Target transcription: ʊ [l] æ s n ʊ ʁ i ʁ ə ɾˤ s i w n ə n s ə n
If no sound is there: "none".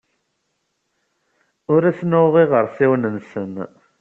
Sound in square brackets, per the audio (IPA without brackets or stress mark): ɾ